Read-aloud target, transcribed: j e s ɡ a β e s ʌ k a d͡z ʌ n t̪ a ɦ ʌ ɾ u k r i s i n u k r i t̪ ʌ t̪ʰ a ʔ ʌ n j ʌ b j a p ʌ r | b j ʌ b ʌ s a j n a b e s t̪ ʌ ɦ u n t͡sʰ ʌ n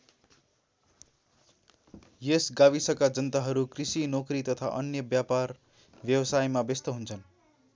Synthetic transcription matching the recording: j e s ɡ a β i s ʌ k a d͡z ʌ n t̪ a ɦ ʌ ɾ u k r i s i n o k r i t̪ ʌ t̪ʰ a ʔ ʌ n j ʌ b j a p a r | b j ʌ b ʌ s a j m a b e s t̪ ʌ ɦ u n t͡sʰ ʌ n